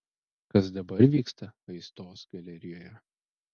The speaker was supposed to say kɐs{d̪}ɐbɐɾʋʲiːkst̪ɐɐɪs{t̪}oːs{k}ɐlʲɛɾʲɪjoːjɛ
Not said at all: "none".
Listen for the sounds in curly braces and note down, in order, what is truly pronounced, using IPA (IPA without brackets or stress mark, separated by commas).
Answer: d̪, t̪, ɡ